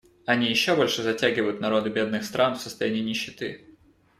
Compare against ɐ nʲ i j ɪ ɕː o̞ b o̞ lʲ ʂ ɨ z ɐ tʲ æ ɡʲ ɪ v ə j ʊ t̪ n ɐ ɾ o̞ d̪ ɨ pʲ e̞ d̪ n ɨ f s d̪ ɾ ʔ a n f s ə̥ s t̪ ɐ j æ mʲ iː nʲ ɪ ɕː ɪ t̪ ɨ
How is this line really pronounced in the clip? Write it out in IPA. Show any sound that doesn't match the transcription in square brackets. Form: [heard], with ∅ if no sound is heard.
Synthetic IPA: ɐ nʲ i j ɪ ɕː o̞ b o̞ lʲ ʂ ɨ z ɐ tʲ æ ɡʲ ɪ v ə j ʊ t̪ n ɐ ɾ o̞ d̪ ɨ [bʲ] e̞ d̪ n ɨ [x] s [t̪] ɾ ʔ a n f s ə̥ s t̪ ɐ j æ [nʲ] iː nʲ ɪ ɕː ɪ t̪ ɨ